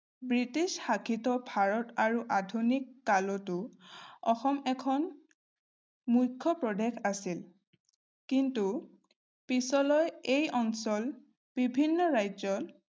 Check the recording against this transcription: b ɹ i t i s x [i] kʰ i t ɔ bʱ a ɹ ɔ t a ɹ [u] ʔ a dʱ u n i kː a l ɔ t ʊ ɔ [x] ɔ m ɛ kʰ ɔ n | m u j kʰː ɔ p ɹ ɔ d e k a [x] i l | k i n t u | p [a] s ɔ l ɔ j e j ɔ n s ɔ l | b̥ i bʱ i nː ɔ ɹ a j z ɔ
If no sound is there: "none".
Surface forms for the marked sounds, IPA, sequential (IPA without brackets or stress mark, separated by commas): a, u, x, s, i